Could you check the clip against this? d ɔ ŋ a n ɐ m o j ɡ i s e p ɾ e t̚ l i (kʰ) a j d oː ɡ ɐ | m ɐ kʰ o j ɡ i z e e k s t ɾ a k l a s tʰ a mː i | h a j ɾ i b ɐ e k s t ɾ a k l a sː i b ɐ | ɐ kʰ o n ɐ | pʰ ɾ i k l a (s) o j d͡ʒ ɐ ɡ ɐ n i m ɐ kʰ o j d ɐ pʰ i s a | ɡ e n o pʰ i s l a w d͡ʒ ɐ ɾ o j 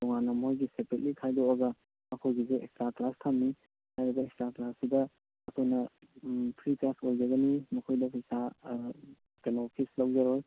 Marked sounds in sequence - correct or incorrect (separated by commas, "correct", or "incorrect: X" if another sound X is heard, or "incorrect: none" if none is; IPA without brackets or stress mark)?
correct, correct